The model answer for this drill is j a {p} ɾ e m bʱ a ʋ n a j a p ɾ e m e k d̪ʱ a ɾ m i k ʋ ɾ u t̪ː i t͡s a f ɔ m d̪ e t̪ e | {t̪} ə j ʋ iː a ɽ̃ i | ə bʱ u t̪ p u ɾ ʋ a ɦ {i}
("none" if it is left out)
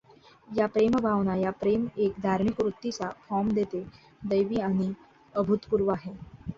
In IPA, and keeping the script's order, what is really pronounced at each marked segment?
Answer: p, d̪, e

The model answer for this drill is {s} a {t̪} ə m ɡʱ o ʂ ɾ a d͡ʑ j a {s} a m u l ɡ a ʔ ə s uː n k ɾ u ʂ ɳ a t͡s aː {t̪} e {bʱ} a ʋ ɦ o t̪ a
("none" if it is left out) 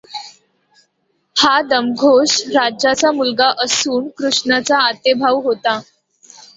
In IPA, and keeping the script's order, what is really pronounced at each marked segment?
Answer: h, d̪, t͡s, t̪, bʱ

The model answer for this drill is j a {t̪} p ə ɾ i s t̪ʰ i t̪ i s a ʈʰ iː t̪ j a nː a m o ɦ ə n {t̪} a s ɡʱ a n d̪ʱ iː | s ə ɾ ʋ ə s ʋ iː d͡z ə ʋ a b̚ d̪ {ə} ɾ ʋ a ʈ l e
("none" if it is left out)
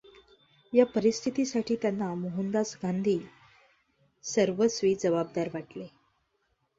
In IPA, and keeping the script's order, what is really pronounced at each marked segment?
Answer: none, d̪, a

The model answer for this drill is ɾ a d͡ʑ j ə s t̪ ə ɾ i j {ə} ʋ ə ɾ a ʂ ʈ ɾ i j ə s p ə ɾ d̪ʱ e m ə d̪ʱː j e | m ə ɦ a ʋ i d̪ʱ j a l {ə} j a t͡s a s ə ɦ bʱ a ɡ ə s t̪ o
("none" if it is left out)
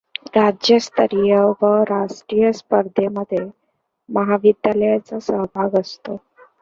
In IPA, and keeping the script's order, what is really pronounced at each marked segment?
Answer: ə, ə

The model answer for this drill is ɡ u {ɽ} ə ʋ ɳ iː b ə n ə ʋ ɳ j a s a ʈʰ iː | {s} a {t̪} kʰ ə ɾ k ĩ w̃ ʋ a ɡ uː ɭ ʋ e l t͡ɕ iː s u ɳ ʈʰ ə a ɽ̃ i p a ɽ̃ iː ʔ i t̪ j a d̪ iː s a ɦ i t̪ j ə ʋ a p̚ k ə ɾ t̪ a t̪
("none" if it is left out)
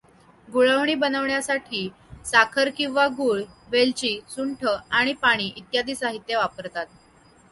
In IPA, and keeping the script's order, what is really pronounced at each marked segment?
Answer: ɭ, s, none

